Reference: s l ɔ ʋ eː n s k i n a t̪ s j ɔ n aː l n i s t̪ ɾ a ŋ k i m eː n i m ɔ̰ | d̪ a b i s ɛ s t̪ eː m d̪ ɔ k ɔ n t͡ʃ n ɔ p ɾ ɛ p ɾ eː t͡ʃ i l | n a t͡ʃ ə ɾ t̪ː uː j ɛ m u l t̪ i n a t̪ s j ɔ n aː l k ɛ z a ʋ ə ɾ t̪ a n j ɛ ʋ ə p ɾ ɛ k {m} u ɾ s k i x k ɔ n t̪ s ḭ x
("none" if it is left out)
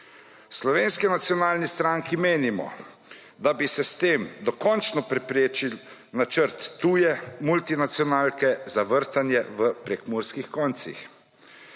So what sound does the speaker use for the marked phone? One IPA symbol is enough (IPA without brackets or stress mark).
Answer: m